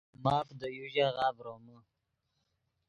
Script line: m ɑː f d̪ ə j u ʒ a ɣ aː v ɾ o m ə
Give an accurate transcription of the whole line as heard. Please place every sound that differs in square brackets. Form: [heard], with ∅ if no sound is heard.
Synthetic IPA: m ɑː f d̪ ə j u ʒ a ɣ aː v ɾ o m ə